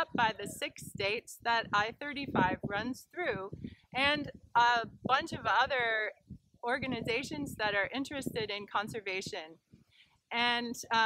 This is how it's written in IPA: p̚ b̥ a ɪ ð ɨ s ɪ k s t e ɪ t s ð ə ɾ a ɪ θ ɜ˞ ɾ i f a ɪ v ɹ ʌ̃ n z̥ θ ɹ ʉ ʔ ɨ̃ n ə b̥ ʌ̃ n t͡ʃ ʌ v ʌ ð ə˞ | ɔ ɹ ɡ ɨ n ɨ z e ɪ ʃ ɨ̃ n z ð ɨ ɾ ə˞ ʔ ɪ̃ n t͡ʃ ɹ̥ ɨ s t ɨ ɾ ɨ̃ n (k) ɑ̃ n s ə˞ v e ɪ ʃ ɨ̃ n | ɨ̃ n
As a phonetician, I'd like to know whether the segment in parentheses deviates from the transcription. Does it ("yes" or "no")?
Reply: yes